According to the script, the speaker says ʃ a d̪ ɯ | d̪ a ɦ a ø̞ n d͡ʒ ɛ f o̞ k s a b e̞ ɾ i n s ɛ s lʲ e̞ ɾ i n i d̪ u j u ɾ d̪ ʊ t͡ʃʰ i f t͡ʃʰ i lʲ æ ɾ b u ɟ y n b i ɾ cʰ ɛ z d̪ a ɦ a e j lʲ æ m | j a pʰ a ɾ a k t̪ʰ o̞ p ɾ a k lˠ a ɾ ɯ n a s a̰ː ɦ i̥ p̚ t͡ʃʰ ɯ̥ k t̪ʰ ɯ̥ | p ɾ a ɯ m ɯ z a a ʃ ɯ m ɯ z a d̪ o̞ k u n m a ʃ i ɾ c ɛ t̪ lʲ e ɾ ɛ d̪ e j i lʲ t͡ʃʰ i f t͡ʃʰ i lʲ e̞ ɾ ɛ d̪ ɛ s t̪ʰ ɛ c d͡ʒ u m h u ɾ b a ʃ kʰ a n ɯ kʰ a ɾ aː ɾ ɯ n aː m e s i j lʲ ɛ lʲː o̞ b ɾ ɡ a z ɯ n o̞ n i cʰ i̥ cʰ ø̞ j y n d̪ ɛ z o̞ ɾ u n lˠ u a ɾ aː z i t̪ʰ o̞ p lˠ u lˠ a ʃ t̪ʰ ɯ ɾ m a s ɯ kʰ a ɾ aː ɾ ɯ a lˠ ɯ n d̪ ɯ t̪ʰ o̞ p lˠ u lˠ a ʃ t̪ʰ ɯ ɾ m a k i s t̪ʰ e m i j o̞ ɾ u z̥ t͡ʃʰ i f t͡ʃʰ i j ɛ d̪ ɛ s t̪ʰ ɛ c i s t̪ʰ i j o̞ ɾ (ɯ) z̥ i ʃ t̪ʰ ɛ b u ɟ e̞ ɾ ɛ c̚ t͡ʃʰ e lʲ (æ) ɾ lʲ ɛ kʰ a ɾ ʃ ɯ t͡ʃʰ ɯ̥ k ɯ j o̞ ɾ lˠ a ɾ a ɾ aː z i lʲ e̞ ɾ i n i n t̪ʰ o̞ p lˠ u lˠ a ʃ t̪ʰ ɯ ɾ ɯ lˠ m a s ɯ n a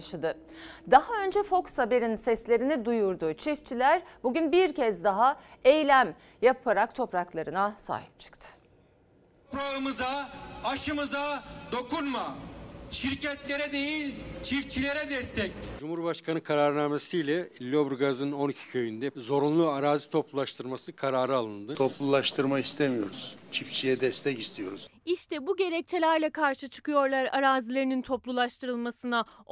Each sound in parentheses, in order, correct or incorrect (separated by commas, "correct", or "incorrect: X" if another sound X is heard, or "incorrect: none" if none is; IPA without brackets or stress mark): incorrect: u, correct